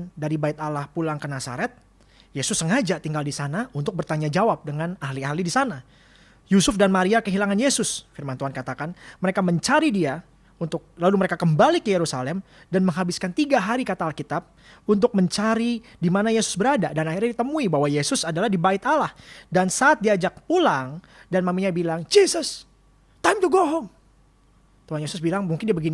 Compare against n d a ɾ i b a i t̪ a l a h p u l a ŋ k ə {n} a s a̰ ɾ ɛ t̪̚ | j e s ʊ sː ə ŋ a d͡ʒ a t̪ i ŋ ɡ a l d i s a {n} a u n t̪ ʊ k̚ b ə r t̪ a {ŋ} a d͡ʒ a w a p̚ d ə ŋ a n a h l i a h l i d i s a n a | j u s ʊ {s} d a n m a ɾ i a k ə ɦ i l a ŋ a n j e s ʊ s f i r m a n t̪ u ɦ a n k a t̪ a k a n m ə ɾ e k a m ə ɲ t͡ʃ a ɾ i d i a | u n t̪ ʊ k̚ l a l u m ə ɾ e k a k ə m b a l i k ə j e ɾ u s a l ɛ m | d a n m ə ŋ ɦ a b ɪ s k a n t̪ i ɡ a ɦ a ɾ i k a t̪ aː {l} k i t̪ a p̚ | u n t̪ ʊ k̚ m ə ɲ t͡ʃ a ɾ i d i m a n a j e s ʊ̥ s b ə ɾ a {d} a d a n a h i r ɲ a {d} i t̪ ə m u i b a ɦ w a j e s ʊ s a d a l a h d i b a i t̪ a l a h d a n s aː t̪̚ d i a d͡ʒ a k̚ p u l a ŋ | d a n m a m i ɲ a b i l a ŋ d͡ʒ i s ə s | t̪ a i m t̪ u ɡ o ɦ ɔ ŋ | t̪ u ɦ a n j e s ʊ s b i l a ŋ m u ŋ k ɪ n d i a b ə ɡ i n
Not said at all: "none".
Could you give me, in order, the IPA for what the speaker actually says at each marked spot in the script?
n, n, ɲ, f, l, d, d

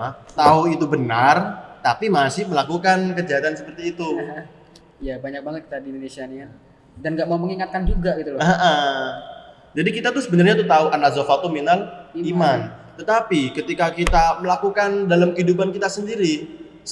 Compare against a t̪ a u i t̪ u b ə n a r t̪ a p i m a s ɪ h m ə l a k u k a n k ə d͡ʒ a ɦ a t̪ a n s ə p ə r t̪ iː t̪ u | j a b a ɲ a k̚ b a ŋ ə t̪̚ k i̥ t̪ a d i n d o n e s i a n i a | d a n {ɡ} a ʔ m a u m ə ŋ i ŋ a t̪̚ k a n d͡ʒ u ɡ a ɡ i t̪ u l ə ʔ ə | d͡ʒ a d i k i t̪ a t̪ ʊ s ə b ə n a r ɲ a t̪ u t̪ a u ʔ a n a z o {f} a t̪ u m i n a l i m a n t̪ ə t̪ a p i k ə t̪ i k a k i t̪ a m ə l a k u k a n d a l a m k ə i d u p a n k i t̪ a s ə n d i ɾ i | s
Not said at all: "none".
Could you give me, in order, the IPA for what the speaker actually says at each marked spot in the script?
ɡ, f

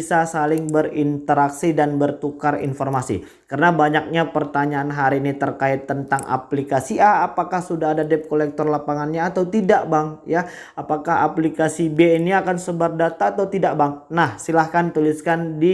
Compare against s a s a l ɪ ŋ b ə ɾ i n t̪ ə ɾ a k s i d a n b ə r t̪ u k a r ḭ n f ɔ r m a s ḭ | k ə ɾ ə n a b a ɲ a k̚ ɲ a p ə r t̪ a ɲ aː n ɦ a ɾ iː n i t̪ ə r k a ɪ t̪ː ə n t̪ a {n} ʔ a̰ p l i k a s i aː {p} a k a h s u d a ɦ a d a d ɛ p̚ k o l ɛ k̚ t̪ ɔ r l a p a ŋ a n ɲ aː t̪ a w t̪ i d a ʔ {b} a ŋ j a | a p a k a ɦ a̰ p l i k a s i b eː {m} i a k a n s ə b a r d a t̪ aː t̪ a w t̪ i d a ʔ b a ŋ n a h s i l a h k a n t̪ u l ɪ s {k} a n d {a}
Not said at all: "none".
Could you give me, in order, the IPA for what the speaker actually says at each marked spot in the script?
ŋ, p, b, n, k, i

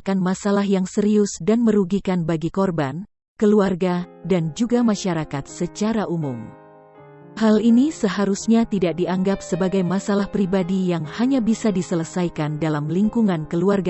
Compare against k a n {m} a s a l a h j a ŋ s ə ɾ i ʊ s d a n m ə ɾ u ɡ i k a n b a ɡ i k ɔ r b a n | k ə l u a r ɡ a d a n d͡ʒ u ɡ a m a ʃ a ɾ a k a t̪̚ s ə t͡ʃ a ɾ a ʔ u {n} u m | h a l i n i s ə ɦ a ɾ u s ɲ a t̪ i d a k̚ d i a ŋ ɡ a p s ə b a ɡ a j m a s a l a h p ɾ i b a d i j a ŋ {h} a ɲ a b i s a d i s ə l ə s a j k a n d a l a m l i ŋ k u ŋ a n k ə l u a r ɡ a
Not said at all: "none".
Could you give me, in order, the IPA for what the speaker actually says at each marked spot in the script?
m, m, h

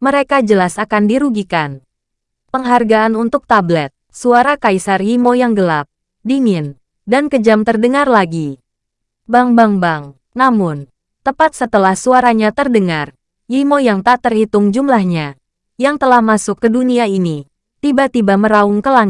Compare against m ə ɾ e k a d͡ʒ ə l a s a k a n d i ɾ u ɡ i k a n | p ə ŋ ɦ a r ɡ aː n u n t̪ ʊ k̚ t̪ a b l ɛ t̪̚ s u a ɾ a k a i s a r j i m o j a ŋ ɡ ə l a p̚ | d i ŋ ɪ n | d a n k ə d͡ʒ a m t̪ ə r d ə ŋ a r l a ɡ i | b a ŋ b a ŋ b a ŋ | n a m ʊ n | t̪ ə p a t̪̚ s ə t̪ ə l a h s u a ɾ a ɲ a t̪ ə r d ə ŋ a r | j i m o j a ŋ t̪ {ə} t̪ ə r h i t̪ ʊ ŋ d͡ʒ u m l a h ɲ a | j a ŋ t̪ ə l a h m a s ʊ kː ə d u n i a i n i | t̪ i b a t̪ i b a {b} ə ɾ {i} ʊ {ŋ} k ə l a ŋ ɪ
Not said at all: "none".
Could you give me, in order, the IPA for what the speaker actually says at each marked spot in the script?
a, m, a, ŋ

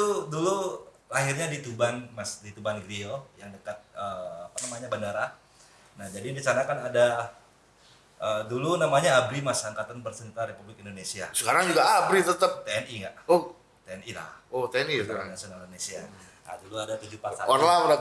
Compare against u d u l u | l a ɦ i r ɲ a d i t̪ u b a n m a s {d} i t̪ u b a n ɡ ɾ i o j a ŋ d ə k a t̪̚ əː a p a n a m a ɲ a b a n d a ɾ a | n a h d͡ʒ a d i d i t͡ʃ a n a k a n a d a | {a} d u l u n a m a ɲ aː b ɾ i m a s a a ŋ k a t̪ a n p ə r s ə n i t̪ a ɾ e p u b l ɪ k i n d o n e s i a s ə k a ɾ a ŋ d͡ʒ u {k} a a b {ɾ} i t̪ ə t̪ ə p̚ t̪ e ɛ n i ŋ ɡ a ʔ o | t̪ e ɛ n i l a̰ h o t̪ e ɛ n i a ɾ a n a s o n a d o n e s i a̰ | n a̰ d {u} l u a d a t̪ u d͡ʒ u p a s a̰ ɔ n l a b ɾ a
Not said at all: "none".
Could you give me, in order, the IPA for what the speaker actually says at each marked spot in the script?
d, ə, ɡ, ɾ, u

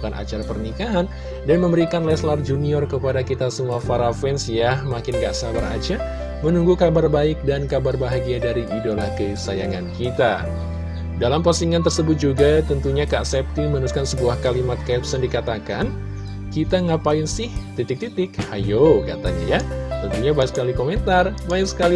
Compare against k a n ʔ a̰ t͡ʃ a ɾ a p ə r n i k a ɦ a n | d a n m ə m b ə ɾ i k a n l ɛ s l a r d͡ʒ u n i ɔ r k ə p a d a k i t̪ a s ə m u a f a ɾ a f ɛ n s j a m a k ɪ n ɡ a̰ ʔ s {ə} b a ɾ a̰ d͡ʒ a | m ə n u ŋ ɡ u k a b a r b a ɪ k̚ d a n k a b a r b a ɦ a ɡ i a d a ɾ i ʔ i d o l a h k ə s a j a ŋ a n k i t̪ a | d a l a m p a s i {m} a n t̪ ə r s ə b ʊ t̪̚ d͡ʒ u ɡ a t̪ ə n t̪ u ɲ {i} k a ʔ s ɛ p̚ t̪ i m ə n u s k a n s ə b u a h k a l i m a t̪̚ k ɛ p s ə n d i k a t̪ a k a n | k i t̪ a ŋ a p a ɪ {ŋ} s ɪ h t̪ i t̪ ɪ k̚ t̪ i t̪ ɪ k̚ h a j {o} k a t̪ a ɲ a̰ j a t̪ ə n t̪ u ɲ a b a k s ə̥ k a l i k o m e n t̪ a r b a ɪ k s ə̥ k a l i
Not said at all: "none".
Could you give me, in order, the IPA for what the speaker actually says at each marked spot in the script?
a, ŋ, a, n, o

